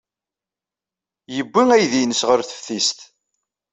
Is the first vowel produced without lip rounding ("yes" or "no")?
yes